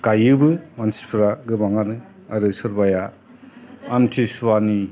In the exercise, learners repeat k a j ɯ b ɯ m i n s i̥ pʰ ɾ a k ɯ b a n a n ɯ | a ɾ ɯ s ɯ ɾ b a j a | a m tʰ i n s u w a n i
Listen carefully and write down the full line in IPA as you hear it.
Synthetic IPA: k a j ɯ b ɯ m a n s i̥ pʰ ɾ a ɡ ɯ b a ŋ a n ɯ | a ɾ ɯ s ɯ ɾ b a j a | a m tʰ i s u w a n i